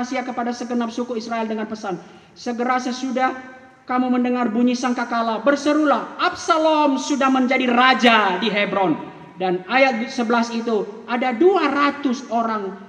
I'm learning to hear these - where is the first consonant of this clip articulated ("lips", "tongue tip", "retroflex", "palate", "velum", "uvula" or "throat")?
tongue tip